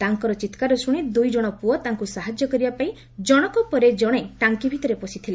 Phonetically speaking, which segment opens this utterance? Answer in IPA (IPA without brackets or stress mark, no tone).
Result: t̪